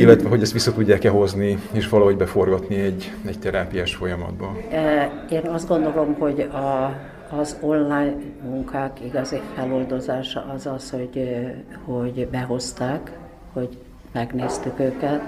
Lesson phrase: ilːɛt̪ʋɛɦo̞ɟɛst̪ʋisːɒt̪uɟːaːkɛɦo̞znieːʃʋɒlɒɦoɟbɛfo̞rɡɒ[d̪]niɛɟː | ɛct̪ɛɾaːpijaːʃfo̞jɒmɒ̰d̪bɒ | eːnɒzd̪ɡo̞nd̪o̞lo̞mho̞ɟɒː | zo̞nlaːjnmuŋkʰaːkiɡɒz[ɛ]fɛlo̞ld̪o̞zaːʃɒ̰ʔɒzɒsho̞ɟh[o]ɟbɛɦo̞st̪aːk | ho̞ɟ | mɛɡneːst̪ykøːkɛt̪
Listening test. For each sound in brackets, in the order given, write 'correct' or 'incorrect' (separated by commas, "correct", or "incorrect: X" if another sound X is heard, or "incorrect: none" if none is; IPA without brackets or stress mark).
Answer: incorrect: t̪, incorrect: i, correct